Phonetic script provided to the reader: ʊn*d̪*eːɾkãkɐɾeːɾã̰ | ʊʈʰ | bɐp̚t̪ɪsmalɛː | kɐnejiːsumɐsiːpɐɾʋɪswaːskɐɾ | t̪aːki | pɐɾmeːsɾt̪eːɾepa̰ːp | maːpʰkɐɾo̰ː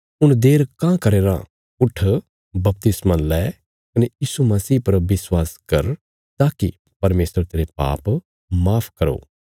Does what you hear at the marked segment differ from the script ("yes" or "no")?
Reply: no